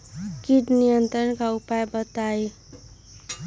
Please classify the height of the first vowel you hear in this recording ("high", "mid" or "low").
high